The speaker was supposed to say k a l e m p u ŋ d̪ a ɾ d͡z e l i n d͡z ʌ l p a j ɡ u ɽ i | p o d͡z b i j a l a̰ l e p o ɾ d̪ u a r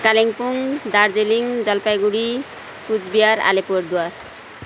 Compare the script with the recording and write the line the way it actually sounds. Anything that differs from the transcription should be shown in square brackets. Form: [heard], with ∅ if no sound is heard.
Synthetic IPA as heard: k a l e [ŋ] p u ŋ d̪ a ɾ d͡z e l i [ŋ] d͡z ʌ l p a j ɡ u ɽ i | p [u] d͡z b i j a [ɾ] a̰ l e p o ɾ d̪ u a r